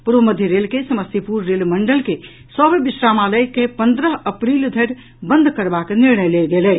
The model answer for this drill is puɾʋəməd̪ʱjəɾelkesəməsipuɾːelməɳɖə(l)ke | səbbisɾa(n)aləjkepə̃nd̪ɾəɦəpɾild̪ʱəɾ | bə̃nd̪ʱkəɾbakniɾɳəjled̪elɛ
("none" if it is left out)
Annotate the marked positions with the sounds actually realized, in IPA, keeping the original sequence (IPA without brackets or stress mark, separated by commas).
l, m